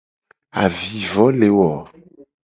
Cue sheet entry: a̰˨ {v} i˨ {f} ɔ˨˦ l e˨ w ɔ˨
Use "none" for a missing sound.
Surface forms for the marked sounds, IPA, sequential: v, v

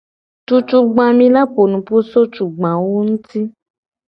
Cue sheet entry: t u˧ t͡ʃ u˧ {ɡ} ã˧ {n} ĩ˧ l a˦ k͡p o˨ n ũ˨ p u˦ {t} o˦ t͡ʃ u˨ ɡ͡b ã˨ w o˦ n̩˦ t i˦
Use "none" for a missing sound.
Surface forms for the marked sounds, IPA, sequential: ɡ͡b, m, s

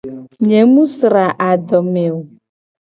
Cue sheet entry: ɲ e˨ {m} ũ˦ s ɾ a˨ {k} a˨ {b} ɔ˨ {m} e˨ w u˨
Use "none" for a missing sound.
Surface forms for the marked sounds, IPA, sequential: m, ʔ, d, m

